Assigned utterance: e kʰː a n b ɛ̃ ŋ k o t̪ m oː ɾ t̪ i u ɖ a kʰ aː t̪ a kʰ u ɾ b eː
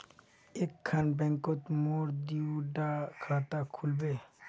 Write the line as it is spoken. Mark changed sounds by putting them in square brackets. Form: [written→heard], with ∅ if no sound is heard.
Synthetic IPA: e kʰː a n b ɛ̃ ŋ k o t̪ m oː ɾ [t̪→d̪] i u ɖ a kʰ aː t̪ a kʰ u [ɾ→l] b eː